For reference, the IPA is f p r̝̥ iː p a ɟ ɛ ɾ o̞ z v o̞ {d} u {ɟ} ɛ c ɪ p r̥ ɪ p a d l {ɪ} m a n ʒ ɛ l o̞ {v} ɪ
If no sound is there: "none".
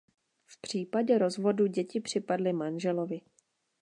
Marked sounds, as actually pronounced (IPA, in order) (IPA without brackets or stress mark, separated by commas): d, ɟ, ɪ, v